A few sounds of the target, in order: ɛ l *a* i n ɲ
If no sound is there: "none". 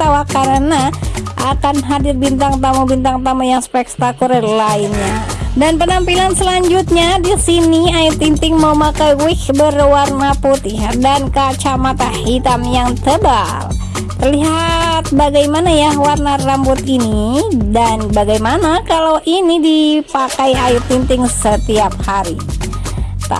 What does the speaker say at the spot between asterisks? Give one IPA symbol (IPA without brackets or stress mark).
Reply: a